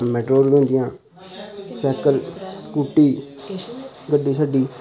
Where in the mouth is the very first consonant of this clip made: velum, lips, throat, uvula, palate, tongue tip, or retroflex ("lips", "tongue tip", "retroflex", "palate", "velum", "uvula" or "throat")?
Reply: lips